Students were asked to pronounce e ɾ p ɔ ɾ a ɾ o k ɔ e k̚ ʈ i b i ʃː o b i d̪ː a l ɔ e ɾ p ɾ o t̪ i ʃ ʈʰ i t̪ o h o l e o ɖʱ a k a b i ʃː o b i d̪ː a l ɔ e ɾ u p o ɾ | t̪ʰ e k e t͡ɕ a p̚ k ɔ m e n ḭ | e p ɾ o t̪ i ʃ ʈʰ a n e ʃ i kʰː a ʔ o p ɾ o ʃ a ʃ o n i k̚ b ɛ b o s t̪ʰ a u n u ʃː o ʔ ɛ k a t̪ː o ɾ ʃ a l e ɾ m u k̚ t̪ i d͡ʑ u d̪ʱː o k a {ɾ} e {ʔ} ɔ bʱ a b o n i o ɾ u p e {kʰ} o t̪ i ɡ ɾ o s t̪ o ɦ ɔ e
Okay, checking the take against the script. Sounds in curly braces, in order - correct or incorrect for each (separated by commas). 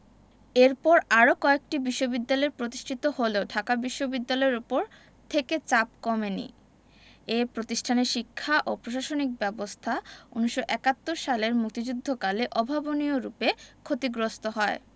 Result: incorrect, correct, correct